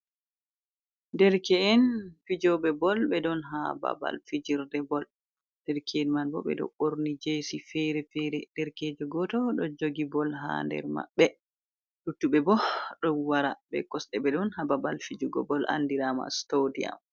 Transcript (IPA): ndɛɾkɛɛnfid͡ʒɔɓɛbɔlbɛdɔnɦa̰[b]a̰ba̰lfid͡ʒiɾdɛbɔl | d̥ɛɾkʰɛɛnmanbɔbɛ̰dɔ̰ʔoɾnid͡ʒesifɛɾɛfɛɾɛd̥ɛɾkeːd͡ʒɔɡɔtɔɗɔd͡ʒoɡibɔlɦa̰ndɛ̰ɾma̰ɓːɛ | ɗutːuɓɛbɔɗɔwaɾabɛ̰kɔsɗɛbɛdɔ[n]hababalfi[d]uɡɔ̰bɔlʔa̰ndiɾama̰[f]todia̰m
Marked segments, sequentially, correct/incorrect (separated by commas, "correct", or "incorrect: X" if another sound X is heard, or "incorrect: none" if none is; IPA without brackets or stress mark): correct, correct, incorrect: d͡ʒ, incorrect: s